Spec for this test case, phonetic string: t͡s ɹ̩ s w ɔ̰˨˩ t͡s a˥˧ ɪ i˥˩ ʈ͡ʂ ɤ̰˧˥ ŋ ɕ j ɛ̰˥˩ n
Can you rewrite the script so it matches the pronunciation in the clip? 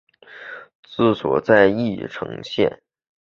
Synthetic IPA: t͡s ɹ̩ s w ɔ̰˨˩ t͡s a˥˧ ɪ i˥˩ ʈ͡ʂʰ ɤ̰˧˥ ŋ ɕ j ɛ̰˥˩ n